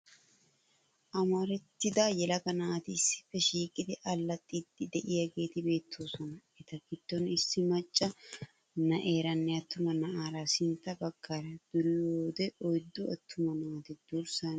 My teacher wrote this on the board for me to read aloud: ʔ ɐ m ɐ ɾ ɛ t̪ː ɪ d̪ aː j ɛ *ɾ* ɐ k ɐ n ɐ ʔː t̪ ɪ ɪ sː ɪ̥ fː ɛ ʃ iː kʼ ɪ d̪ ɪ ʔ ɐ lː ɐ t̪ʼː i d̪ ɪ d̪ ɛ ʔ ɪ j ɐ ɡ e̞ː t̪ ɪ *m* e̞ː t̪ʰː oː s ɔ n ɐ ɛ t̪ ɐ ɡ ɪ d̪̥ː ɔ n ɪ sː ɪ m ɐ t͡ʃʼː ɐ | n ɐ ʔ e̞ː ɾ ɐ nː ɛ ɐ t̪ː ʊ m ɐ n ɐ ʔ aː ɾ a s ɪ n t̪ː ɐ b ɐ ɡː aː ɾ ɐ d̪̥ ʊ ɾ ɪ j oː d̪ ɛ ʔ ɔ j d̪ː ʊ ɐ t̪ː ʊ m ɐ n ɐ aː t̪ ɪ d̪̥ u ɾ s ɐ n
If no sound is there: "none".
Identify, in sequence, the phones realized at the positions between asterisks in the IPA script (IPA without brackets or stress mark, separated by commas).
l, b